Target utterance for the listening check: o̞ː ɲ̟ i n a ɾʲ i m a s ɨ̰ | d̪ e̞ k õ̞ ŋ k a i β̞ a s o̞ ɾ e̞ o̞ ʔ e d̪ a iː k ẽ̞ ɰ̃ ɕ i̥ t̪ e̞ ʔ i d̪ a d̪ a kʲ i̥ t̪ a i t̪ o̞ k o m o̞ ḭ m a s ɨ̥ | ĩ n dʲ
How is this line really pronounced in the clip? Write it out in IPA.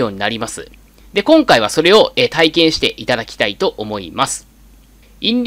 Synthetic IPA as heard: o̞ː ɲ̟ i n a ɾʲ i m a s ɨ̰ | d̪ e̞ k õ̞ ŋ k a i β̞ a s o̞ ɾ e̞ o̞ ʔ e t̪ a i k ẽ̞ ɰ̃ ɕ i̥ t̪ e̞ ʔ i t̪ a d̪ a kʲ i̥ t̪ a i t̪ o̞ ʔ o m o̞ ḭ m a s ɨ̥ | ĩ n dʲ